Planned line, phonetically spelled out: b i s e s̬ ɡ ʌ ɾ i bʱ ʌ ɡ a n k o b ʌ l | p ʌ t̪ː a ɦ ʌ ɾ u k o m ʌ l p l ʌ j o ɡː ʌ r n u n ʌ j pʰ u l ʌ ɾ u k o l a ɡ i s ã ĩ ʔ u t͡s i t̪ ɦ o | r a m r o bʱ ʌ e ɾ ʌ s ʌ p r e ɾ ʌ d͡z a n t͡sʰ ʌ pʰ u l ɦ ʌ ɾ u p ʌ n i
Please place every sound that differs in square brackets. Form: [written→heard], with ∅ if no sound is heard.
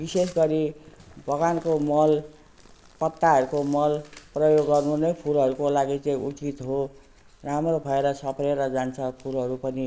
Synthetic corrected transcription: b i s e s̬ ɡ ʌ ɾ i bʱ ʌ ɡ a n k o [b→m] ʌ l | p ʌ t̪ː a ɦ ʌ ɾ u k o m ʌ l p [l→r] ʌ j o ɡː ʌ r n u n ʌ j pʰ u l ʌ ɾ u k o l a ɡ i [s→t͡s] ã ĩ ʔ u t͡s i t̪ ɦ o | r a m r o bʱ ʌ e ɾ ʌ s ʌ p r e ɾ ʌ d͡z a n t͡sʰ ʌ pʰ u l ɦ ʌ ɾ u p ʌ n i